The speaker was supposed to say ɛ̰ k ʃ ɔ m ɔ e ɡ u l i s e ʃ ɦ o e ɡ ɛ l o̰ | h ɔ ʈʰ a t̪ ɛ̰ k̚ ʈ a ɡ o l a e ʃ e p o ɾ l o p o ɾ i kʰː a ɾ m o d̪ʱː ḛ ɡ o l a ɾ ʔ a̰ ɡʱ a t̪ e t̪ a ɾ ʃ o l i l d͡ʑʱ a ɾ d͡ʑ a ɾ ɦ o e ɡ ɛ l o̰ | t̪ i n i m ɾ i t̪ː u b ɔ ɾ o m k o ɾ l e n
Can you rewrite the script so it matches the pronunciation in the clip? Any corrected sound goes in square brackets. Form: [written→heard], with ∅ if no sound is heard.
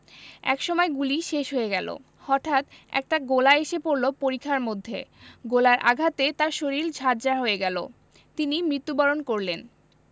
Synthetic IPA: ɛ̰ k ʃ ɔ m ɔ e ɡ u l i [s→ʃ] e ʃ ɦ o e ɡ ɛ l o̰ | h ɔ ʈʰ a t̪ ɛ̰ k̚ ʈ a ɡ o l a e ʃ e p o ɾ l o p o ɾ i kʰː a ɾ m o d̪ʱː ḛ ɡ o l a ɾ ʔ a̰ ɡʱ a t̪ e t̪ a ɾ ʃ o [l→ɾ] i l d͡ʑʱ a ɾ d͡ʑ a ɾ ɦ o e ɡ ɛ l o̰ | t̪ i n i m ɾ i t̪ː u b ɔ ɾ o [m→n] k o ɾ l e n

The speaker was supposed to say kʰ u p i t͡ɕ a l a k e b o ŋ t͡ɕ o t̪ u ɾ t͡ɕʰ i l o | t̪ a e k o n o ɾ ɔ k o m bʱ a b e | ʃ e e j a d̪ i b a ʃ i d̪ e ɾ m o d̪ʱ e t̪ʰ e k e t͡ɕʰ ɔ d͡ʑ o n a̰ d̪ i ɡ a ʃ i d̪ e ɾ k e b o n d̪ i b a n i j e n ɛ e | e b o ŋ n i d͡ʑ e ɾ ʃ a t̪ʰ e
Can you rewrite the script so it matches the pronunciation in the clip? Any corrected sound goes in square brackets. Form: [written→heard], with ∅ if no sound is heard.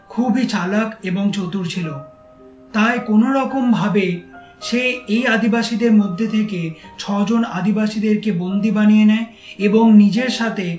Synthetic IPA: kʰ u [p→b] i t͡ɕ a l a k e b o ŋ t͡ɕ o t̪ u ɾ t͡ɕʰ i l o | t̪ a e k o n o ɾ ɔ k o m bʱ a b e | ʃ e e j a d̪ i b a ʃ i d̪ e ɾ m o [d̪ʱ→d̪ʱː] e t̪ʰ e k e t͡ɕʰ ɔ d͡ʑ o n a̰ d̪ i [ɡ→b] a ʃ i d̪ e ɾ k e b o n d̪ i b a n i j e n ɛ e | e b o ŋ n i d͡ʑ e ɾ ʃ a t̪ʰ e

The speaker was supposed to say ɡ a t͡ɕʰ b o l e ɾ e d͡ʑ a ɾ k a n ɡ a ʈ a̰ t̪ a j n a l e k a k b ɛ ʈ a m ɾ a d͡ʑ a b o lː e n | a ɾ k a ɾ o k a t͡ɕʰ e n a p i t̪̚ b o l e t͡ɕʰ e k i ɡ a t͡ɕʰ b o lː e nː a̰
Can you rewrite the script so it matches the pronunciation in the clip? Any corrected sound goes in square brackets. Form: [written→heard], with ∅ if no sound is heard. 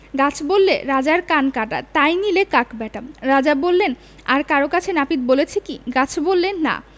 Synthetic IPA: ɡ a t͡ɕʰ b o [l→lː] e ɾ [e→a] d͡ʑ a ɾ k a n [ɡ→k] a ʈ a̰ t̪ a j n [a→i] l e k a k b ɛ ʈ a m ɾ a d͡ʑ a b o lː e n | a ɾ k a ɾ o k a t͡ɕʰ e n a p i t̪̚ b o l e t͡ɕʰ e k i ɡ a t͡ɕʰ b o lː e nː a̰

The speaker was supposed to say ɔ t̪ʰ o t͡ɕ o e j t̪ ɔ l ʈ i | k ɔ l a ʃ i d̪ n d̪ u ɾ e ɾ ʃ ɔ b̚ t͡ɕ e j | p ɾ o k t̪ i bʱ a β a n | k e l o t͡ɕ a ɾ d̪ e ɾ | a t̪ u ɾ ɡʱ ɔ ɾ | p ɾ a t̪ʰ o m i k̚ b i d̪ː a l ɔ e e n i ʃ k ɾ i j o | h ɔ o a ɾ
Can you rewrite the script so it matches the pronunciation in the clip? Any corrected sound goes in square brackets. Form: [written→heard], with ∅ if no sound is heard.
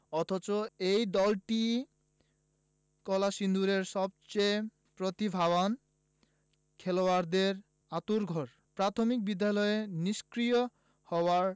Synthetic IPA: ɔ t̪ʰ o t͡ɕ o e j [t̪→d̪] ɔ l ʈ i | k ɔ l a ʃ i [d̪→∅] n d̪ u ɾ e ɾ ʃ ɔ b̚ t͡ɕ e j | p ɾ o [k→∅] t̪ i bʱ a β a n | [k→kʰ] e l o [t͡ɕ→∅] a ɾ d̪ e ɾ | a t̪ u ɾ ɡʱ ɔ ɾ | p ɾ a t̪ʰ o m i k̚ b i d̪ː a l ɔ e e n i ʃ k ɾ i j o | h ɔ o a ɾ

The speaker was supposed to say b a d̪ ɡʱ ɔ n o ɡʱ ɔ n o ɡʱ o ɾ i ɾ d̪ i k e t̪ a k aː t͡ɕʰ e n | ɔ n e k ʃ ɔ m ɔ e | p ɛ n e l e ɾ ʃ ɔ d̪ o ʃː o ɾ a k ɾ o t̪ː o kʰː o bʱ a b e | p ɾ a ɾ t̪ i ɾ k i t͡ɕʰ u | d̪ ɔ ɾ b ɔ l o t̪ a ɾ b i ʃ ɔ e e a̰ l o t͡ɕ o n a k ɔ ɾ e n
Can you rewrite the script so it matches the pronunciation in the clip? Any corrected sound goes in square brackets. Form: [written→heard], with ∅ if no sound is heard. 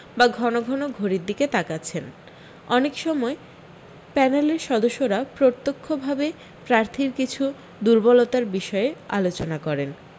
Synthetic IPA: b a [d̪→∅] ɡʱ ɔ n o ɡʱ ɔ n o ɡʱ o ɾ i ɾ d̪ i k e t̪ a k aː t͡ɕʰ e n | ɔ n e k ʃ ɔ m ɔ e | p ɛ n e l e ɾ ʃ ɔ d̪ o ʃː o ɾ a [k→p] ɾ o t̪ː o kʰː o bʱ a b e | p ɾ a ɾ [t̪→t̪ʰ] i ɾ k i t͡ɕʰ u | d̪ [ɔ→u] ɾ b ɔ l o t̪ a ɾ b i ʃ ɔ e e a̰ l o t͡ɕ o n a k ɔ ɾ e n

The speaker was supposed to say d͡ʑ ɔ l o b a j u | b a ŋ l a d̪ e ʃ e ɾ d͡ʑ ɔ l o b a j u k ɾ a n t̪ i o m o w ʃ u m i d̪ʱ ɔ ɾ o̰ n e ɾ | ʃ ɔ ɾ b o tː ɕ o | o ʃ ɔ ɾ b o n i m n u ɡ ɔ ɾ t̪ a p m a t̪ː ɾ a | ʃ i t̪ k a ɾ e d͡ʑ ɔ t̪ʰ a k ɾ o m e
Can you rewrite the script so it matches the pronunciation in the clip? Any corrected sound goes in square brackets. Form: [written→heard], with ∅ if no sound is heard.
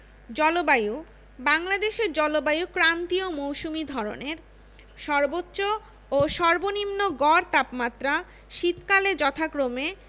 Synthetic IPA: d͡ʑ ɔ l o b a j u | b a ŋ l a d̪ e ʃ e ɾ d͡ʑ ɔ l o b a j u k ɾ a n t̪ i o m o w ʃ u m i d̪ʱ ɔ ɾ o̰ n e ɾ | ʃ ɔ ɾ b o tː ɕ o | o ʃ ɔ ɾ b o n i m n [u→o] ɡ ɔ ɾ t̪ a p m a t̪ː ɾ a | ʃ i t̪ k a [ɾ→l] e d͡ʑ ɔ t̪ʰ a k ɾ o m e

